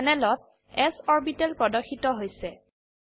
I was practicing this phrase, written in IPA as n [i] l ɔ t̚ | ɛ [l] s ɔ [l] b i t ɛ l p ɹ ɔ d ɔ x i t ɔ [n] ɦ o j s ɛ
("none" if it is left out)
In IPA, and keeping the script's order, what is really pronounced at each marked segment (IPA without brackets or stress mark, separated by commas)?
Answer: ɛ, none, ɹ, none